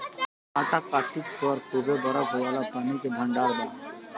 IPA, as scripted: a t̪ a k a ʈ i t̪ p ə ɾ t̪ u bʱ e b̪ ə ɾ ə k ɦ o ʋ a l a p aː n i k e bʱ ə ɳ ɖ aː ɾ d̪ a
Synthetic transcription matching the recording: a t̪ a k a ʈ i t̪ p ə ɾ t̪ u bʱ e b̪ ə ɾ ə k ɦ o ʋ a l a p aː n i k e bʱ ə ɳ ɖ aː ɾ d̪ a